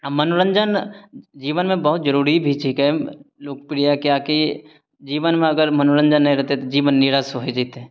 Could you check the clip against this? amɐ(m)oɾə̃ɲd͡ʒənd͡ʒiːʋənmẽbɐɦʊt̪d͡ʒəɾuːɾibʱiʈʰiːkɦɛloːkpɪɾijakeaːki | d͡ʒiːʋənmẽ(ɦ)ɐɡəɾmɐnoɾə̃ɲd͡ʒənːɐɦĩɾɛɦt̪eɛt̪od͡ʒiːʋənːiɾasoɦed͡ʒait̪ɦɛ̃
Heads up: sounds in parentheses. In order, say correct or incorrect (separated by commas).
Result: incorrect, incorrect